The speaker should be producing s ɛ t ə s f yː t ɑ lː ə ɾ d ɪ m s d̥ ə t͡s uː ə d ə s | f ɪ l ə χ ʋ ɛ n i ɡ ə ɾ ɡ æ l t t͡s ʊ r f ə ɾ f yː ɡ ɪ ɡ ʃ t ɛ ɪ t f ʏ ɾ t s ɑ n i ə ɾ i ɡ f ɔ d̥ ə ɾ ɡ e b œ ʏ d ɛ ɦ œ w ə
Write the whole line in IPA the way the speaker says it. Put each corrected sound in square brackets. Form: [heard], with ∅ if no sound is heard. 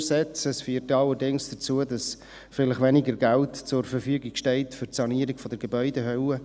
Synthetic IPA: s ɛ [t͡s] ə s f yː t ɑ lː ə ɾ d ɪ [ŋ] s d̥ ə t͡s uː ə d [ɑ] s | f ɪ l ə χ ʋ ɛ n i ɡ ə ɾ ɡ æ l t t͡s ʊ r f ə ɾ f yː ɡ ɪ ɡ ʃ t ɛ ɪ t f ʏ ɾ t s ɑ n i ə ɾ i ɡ f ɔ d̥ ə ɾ ɡ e b œ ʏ d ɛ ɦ œ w ə